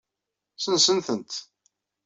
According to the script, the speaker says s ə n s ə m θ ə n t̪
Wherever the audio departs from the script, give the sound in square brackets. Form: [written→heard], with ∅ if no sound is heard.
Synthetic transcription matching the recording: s ə n s ə [m→n] θ ə n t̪